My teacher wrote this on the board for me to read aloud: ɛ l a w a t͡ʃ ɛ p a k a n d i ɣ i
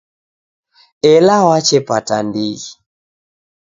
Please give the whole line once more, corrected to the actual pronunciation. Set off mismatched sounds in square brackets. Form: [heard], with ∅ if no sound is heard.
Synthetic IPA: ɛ l a w a t͡ʃ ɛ p a [t] a n d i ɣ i